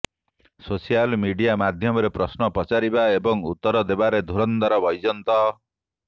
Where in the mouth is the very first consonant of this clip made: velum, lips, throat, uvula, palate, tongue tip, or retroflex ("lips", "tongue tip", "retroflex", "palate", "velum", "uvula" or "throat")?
tongue tip